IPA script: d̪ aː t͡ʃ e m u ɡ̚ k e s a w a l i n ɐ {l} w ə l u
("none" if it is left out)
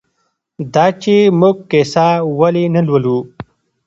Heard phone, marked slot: l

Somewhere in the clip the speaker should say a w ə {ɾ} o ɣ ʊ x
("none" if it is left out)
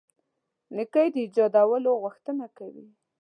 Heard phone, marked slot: l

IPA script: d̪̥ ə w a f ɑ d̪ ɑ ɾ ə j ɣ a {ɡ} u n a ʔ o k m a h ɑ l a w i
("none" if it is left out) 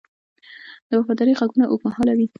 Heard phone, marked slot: ɡ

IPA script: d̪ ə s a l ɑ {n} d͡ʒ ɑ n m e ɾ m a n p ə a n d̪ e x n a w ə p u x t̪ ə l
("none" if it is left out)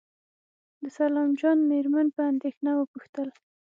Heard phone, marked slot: m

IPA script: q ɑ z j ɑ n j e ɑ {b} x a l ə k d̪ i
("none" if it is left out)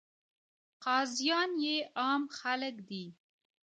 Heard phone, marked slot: m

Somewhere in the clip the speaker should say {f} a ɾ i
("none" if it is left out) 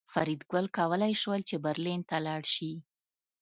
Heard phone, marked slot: f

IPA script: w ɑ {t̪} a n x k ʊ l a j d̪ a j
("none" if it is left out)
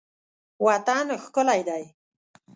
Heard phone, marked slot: t̪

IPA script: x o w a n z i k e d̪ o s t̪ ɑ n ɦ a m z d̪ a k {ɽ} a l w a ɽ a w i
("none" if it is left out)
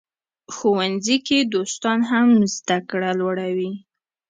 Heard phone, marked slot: ɽ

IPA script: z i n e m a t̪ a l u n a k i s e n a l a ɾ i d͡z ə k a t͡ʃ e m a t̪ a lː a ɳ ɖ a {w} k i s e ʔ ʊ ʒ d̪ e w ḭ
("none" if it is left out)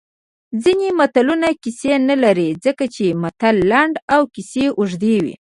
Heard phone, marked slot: w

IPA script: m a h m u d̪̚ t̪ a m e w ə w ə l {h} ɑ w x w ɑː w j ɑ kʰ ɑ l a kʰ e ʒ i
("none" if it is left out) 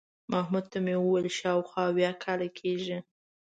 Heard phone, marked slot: ʃ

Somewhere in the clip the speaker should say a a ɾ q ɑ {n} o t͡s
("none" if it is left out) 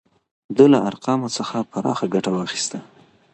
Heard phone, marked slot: m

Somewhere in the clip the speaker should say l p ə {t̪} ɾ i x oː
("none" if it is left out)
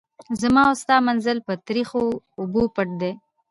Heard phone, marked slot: t̪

